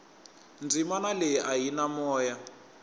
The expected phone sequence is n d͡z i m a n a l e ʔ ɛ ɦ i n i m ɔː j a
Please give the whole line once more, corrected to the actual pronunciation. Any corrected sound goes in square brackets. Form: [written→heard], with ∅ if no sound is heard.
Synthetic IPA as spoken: n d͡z i m a n a l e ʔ [ɛ→a] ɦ i n [i→a] m ɔː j a